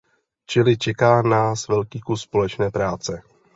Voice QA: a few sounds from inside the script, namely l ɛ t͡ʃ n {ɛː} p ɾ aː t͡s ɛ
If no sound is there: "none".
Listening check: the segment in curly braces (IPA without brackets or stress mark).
ɛː